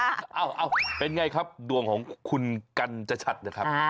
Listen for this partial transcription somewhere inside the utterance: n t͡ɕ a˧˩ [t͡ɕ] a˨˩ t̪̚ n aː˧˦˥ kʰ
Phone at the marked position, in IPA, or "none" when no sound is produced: t͡ɕʰ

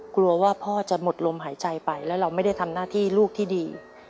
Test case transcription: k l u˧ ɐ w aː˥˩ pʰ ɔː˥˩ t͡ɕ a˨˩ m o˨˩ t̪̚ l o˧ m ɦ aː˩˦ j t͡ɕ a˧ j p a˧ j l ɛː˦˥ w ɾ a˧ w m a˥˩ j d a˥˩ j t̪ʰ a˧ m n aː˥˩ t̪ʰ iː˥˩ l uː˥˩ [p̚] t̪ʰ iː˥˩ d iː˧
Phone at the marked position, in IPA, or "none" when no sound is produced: k̚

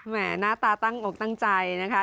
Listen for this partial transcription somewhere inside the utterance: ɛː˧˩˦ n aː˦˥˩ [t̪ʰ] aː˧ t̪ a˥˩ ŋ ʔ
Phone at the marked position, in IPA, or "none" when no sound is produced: t̪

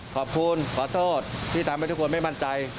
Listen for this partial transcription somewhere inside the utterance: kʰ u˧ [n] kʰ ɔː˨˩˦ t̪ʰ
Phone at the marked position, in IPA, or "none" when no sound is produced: n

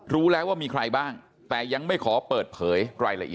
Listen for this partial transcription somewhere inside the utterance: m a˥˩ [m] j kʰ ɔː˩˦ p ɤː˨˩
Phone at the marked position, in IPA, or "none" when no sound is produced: none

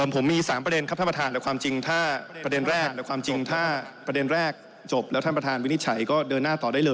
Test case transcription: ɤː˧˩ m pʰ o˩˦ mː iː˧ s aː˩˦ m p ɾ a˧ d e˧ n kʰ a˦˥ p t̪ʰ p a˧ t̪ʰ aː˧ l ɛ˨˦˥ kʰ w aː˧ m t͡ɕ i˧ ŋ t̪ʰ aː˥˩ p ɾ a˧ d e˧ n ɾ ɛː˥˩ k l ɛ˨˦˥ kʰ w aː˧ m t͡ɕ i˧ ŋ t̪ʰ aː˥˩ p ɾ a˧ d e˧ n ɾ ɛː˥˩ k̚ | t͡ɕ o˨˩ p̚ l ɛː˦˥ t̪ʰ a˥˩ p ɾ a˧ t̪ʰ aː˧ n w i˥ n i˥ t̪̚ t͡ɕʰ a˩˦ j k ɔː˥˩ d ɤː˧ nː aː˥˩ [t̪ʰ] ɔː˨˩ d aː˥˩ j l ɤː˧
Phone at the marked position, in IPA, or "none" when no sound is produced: t̪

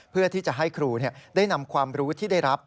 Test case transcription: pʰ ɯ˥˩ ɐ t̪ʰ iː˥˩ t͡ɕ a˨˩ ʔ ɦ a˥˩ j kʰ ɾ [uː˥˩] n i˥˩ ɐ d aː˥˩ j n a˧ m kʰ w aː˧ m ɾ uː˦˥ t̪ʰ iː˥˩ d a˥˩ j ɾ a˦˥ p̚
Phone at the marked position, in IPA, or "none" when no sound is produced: uː˧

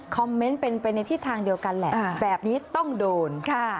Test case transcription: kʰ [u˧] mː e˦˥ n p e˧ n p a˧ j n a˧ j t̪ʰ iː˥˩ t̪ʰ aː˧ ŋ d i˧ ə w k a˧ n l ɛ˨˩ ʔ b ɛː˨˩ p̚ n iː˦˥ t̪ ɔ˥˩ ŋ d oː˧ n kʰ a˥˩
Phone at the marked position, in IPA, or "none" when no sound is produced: ɔ˧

